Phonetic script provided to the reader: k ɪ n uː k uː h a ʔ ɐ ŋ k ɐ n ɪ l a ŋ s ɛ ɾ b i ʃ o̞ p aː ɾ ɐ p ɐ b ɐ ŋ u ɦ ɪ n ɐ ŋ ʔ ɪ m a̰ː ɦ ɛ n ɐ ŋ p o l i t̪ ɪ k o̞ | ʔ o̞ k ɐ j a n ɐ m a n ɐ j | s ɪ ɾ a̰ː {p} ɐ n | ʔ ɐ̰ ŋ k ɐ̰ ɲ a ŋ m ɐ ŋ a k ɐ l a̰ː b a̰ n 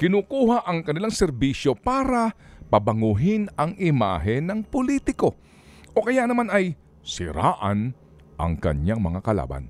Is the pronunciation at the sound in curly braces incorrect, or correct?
incorrect